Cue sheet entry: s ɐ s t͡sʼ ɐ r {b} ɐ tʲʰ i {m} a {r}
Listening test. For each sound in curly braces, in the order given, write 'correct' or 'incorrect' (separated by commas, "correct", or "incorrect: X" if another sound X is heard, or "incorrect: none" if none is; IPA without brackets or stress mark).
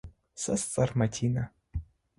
incorrect: m, incorrect: n, incorrect: none